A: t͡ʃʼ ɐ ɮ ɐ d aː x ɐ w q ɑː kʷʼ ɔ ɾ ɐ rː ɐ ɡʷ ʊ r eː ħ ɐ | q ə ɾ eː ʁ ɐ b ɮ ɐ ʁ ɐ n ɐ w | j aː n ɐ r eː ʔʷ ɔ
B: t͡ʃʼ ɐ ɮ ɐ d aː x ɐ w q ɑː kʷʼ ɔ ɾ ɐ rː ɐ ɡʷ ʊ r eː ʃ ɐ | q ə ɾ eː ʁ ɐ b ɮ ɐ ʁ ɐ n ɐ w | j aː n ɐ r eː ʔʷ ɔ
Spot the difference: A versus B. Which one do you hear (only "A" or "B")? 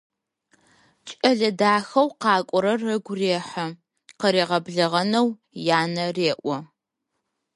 A